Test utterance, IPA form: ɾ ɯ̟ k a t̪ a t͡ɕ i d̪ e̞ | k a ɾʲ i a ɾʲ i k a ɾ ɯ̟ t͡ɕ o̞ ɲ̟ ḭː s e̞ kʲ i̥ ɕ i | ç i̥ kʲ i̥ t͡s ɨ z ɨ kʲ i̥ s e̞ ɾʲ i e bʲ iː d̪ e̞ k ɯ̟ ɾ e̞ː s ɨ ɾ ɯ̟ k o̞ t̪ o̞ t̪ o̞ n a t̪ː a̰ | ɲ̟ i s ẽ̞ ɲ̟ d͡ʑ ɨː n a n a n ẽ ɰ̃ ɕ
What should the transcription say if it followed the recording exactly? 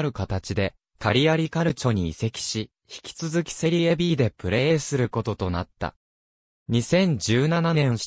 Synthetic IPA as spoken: ɾ ɯ̟ k a t̪ a t͡ɕ i d̪ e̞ | k a ɾʲ i a ɾʲ i k a ɾ ɯ̟ t͡ɕ o̞ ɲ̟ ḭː s e̞ kʲ i̥ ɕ i | ç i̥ kʲ i̥ t͡s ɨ z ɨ kʲ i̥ s e̞ ɾʲ i e bʲ iː d̪ e̞ p ɯ̟ ɾ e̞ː s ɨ ɾ ɯ̟ k o̞ t̪ o̞ t̪ o̞ n a t̪ː a̰ | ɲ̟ i s ẽ̞ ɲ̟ d͡ʑ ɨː n a n a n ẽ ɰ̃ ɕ